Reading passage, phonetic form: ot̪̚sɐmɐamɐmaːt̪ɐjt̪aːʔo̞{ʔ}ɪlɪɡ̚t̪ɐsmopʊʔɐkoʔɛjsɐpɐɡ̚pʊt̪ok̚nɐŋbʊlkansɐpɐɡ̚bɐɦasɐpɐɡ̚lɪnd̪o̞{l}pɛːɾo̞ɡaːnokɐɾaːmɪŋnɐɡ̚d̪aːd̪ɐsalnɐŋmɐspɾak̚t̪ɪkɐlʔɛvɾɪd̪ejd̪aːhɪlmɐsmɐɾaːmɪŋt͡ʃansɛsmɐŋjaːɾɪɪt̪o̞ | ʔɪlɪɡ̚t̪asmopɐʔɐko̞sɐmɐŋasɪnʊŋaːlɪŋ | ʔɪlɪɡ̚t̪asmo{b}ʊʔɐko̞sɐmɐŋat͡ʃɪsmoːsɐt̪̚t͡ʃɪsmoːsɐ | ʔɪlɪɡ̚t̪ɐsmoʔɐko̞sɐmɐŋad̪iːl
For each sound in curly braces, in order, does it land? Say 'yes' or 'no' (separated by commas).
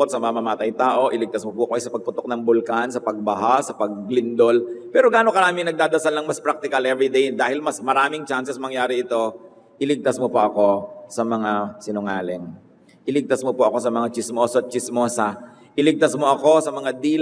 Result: yes, yes, no